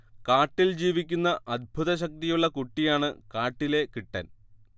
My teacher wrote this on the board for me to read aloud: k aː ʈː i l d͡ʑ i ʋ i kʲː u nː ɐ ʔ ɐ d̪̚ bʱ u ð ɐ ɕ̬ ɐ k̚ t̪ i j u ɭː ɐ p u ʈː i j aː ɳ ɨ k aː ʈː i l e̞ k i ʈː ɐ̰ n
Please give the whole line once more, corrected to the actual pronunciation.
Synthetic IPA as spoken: k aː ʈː i l d͡ʑ iː ʋ i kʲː u nː ɐ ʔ ɐ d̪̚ bʱ u ð ɐ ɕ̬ ɐ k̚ t̪ i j u ɭː ɐ k u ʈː i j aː ɳ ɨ k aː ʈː i l e̞ k i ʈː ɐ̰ n